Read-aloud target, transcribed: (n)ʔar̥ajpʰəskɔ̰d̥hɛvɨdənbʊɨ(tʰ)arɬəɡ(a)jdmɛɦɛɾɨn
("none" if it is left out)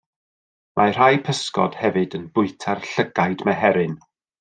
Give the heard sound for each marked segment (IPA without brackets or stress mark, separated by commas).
m, tʰ, a